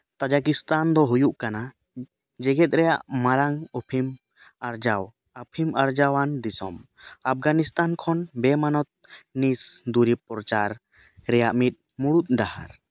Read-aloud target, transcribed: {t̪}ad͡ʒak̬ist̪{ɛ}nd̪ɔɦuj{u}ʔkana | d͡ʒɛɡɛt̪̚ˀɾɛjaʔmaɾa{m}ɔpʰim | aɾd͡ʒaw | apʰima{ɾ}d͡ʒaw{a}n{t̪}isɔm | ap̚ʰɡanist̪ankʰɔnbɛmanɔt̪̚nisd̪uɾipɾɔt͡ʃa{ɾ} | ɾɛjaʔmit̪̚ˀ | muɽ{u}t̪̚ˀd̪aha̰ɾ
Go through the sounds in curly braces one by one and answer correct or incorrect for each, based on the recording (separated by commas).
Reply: correct, incorrect, correct, incorrect, correct, correct, incorrect, correct, correct